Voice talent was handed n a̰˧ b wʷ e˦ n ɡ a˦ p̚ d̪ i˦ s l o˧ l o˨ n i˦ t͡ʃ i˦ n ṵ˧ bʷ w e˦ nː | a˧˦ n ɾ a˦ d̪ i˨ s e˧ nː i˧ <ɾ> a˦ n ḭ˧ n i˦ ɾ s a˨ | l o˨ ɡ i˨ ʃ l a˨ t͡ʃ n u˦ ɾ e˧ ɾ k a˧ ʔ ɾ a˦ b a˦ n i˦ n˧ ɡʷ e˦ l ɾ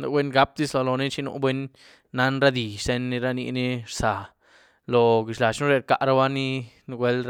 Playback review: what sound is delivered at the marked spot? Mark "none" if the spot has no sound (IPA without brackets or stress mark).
ɾ